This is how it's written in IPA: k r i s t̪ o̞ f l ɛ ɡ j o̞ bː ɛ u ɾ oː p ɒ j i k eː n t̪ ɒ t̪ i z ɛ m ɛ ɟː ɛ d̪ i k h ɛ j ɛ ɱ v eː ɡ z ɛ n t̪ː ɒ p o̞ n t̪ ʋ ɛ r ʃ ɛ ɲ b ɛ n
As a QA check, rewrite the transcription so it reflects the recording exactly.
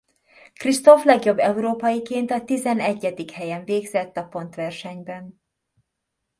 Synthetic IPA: k r i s t̪ o̞ f l ɛ ɡ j o̞ bː ɛ u ɾ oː p ɒ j i k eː n t̪ ɒ t̪ i z ɛ n ɛ ɟː ɛ d̪ i k h ɛ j ɛ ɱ v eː ɡ z ɛ t̪ː ɒ p o̞ n t̪ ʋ ɛ r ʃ ɛ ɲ b ɛ n